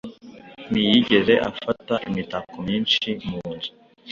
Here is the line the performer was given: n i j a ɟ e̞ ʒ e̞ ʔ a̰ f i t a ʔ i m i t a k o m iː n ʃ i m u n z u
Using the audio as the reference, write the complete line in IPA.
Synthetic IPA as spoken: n i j i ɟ e̞ z e̞ ʔ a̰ f a t a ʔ i m i t a k o m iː n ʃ i m u n z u